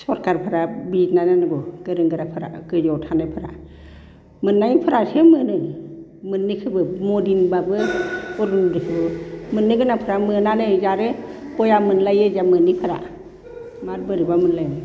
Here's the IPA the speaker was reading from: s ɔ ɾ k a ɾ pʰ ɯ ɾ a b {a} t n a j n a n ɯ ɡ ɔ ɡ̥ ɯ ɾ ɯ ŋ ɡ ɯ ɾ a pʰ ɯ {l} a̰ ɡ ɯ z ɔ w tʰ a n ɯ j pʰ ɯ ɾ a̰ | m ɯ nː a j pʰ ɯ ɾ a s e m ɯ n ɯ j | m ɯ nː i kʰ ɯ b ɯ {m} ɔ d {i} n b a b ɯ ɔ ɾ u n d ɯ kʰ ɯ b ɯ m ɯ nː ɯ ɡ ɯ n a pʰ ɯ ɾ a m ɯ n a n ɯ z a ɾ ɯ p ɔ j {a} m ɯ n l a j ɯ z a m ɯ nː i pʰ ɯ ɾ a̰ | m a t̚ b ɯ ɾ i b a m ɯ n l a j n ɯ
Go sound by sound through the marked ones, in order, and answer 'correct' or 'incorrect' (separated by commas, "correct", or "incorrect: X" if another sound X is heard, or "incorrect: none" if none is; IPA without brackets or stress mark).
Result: incorrect: i, incorrect: ɾ, correct, correct, correct